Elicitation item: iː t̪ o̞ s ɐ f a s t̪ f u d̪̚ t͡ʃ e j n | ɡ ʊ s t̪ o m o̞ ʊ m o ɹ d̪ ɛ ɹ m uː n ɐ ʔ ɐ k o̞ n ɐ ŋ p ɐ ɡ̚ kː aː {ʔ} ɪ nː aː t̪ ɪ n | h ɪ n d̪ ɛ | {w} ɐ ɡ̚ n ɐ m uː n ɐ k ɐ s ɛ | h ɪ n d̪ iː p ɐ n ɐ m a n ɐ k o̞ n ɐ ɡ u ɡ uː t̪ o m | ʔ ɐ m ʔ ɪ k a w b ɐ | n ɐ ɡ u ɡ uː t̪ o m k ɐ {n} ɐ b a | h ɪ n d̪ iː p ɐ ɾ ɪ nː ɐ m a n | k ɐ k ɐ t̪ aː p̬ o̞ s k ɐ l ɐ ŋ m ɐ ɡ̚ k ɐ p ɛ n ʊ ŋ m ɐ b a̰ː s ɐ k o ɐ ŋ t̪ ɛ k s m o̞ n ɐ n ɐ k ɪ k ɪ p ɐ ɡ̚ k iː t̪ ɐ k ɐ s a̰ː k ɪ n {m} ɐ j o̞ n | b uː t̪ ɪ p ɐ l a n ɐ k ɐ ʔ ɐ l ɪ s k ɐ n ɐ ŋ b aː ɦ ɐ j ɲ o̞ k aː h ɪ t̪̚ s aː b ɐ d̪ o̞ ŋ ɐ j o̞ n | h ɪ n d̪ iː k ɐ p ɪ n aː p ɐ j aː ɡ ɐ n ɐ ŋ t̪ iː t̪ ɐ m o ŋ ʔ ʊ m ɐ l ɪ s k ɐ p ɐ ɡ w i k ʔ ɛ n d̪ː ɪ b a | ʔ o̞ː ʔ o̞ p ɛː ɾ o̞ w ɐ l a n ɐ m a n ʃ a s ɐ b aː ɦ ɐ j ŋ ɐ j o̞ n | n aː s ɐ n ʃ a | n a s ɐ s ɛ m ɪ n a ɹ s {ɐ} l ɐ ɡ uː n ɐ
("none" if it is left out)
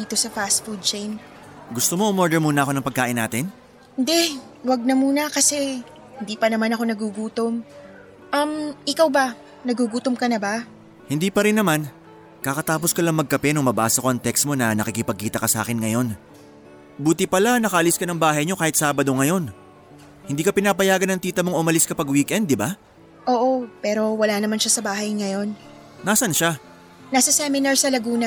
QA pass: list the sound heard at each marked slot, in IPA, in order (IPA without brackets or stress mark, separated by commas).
ʔ, w, n, ŋ, ɐ